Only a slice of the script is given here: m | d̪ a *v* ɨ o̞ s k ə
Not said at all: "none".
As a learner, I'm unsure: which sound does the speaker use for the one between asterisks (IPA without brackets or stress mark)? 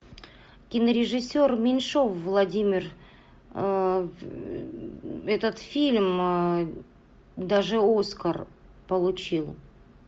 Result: ʐ